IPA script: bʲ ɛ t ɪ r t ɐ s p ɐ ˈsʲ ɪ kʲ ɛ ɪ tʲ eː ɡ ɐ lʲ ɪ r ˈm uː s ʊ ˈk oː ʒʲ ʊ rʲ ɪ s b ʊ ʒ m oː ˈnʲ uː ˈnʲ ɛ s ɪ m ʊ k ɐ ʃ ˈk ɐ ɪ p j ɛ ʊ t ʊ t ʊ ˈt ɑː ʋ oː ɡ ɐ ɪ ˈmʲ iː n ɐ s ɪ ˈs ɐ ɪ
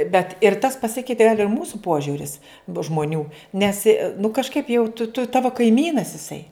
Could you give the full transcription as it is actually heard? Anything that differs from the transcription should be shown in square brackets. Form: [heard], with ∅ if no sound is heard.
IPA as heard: bʲ ɛ t ɪ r t ɐ s p ɐ ˈsʲ ɪ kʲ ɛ ɪ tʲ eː ɡ ɐ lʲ ɪ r ˈm uː s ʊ [ˈp] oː ʒʲ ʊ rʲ ɪ s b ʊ ʒ m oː ˈnʲ uː ˈnʲ ɛ s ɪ [n] ʊ k ɐ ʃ ˈk ɐ ɪ p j ɛ ʊ t ʊ t ʊ ˈt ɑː ʋ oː [k] ɐ ɪ ˈmʲ iː n ɐ s ɪ ˈs ɐ ɪ